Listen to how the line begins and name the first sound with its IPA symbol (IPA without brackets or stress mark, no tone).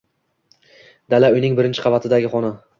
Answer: d̪